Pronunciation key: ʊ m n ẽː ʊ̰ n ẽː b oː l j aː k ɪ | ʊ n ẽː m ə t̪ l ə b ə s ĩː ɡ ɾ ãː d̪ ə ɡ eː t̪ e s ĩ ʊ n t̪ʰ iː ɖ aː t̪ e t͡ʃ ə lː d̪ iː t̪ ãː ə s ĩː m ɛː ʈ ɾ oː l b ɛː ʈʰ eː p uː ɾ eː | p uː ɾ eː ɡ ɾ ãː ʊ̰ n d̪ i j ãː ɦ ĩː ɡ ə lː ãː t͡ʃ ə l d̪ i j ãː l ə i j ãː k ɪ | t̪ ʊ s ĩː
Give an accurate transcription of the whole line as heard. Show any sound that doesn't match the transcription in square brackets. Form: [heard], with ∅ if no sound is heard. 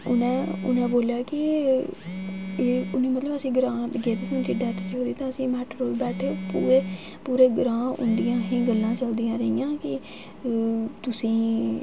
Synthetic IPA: ʊ [∅] n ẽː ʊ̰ n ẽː b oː l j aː k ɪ | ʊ n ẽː m ə t̪ l ə b ə s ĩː ɡ ɾ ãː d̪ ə ɡ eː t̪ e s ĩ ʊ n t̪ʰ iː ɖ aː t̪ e t͡ʃ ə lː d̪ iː t̪ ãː ə s ĩː m ɛː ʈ ɾ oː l b ɛː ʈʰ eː p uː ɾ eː | p uː ɾ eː ɡ ɾ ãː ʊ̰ n d̪ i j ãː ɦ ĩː ɡ ə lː ãː t͡ʃ ə l d̪ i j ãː [ɾ] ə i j ãː k ɪ | t̪ ʊ s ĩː